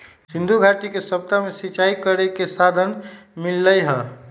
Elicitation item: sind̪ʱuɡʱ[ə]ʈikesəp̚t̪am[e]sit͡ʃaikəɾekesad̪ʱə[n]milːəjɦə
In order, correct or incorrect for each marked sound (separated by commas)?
incorrect, correct, correct